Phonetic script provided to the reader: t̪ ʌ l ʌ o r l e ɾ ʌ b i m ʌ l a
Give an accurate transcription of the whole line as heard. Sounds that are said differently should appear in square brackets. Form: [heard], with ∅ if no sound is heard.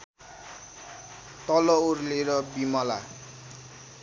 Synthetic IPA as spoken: t̪ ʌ l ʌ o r l e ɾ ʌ b i m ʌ l a